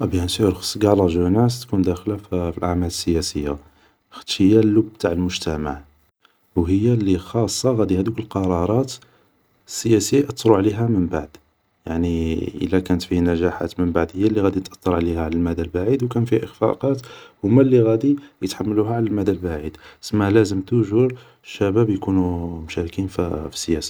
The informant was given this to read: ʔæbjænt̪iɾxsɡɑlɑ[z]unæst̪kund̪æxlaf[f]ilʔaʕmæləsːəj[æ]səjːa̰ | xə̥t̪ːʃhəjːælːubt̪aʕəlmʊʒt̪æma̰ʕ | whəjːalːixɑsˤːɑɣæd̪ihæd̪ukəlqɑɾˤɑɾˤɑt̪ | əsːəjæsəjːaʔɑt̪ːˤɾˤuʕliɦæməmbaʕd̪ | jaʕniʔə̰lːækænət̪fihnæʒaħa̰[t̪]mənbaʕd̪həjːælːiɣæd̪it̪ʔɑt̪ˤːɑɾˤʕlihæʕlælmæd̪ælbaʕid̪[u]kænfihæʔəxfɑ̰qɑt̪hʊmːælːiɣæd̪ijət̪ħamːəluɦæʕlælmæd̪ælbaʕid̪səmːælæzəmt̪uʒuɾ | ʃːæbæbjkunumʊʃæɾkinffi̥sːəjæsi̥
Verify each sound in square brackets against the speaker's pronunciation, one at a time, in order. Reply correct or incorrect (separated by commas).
incorrect, correct, correct, correct, incorrect